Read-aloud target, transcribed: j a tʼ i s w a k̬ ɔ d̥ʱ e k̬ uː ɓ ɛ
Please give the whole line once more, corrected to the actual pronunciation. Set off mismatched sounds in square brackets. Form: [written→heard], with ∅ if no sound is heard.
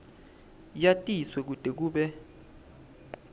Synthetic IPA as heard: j a tʼ i s w [a→ɛ] k̬ [ɔ→u] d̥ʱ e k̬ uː ɓ ɛ